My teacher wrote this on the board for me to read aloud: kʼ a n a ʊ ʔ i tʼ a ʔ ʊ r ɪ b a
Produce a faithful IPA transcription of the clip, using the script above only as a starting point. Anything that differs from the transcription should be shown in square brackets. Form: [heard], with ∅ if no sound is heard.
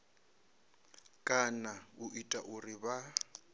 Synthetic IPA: kʼ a n a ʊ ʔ i tʼ a ʔ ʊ r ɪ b a